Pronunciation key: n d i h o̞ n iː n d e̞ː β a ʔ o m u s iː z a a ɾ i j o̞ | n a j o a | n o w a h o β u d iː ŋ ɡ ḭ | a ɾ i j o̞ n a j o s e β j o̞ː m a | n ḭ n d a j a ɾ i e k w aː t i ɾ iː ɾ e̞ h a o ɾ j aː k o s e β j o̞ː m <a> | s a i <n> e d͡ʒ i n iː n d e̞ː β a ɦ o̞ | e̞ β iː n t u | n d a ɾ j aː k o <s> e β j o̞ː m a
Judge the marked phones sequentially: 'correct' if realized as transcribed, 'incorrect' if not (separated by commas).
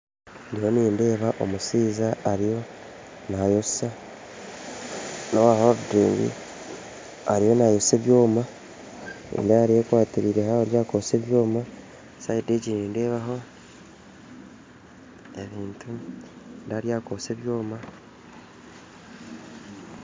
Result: correct, incorrect, correct